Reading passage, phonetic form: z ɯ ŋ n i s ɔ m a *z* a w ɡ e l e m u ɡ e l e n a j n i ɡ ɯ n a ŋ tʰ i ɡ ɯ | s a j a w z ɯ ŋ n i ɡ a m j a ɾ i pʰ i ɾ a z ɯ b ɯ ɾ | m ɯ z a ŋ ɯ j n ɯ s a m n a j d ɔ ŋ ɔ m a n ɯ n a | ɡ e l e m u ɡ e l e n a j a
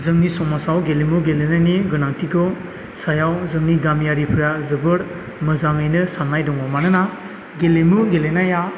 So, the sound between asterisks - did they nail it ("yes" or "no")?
no